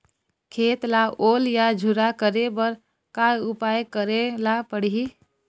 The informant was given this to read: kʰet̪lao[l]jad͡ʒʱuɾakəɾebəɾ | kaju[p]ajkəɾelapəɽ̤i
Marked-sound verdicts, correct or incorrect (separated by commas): correct, correct